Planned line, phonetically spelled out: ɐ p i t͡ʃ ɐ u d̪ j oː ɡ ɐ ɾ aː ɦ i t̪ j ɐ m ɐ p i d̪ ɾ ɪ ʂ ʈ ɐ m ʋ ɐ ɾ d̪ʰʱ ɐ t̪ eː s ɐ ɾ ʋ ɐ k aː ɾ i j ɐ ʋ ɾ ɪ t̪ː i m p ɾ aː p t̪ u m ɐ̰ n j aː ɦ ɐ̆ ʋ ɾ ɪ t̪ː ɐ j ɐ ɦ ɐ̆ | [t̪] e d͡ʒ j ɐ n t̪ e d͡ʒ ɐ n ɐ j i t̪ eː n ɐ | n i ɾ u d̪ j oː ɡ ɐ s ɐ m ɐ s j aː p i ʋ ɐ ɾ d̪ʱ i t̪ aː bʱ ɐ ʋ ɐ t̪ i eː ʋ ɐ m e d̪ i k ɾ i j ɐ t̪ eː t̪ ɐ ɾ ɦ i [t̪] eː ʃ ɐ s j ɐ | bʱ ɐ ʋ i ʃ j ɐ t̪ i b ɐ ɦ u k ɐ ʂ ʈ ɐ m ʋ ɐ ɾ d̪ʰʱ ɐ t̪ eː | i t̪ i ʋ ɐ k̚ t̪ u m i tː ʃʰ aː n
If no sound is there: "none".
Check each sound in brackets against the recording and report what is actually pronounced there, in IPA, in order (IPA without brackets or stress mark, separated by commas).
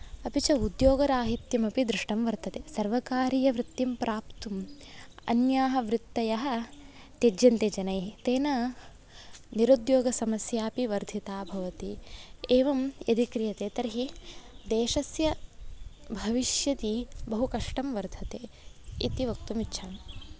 t̪, d̪